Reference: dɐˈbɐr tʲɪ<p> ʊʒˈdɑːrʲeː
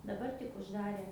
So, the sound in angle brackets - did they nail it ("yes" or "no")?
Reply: no